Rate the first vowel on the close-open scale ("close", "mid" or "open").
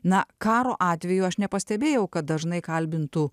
open